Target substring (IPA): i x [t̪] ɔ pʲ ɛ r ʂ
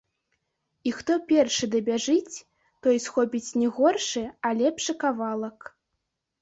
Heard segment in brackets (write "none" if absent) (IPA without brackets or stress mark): t̪